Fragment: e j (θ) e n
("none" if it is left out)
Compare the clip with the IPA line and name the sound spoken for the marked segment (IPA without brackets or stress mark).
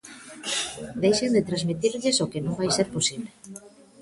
ʃ